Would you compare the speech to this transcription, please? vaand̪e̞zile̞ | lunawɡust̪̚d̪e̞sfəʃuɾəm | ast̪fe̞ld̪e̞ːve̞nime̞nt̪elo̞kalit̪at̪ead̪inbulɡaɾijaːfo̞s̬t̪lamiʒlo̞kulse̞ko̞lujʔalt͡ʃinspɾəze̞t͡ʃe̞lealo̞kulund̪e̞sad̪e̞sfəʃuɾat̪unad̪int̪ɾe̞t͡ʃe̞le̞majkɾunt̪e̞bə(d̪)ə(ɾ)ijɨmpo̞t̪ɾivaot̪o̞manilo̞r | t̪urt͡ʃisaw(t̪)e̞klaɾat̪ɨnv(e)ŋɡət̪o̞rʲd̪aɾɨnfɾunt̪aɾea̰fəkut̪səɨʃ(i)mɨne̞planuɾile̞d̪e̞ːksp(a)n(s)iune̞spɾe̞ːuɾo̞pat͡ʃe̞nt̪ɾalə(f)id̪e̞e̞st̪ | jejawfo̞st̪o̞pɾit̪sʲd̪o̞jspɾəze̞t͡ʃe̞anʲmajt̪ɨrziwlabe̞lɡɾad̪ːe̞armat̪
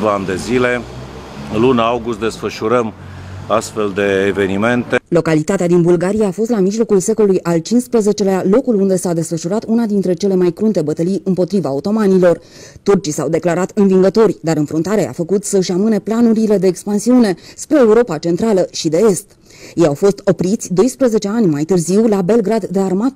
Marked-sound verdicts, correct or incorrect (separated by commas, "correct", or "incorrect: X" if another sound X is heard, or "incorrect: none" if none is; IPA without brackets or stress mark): incorrect: t̪, incorrect: l, incorrect: d̪, incorrect: i, incorrect: a, correct, correct, incorrect: ʃ